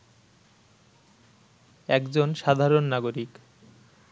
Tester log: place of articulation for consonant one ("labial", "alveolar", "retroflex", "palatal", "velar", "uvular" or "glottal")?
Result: velar